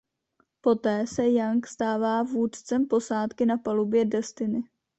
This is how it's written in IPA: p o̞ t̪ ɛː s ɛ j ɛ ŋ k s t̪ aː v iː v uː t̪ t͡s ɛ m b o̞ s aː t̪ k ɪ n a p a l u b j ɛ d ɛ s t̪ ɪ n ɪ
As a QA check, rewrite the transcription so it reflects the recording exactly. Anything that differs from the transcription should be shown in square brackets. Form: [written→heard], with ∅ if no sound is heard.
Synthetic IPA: p o̞ t̪ ɛː s ɛ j [ɛ→a] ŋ k s t̪ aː v [iː→aː] v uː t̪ t͡s ɛ m [b→p] o̞ s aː t̪ k ɪ n a p a l u b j ɛ d ɛ s t̪ ɪ n ɪ